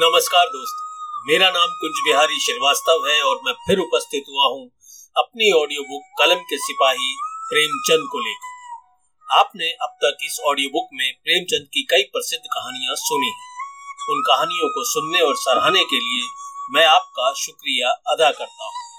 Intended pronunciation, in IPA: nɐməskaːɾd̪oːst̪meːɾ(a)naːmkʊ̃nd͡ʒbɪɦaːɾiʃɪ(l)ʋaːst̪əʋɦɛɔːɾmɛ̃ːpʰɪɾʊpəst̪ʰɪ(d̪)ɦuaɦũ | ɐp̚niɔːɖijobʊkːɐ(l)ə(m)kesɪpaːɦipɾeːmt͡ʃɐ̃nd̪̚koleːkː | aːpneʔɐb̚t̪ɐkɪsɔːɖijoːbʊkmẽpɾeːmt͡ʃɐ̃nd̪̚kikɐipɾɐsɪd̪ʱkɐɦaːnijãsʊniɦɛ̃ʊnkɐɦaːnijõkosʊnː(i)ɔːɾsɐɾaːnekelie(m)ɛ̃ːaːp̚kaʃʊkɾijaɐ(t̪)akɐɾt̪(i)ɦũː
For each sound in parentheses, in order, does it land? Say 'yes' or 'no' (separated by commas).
yes, no, no, yes, yes, no, yes, no, no